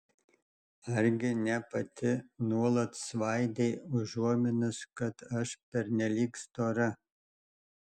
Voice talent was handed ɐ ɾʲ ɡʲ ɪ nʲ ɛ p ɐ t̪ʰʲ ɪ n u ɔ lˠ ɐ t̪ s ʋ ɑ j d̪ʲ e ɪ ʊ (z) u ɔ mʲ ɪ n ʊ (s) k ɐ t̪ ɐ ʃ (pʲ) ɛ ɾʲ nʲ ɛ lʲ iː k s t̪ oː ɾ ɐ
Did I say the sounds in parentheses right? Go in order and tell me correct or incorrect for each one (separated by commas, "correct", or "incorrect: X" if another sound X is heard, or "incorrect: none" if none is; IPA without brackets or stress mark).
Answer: incorrect: ʒ, correct, correct